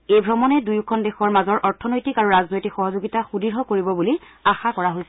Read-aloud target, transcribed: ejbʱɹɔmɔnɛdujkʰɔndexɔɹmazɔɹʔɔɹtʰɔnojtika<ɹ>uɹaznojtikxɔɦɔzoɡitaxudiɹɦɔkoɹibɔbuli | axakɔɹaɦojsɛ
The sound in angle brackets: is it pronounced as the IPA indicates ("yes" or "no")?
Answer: yes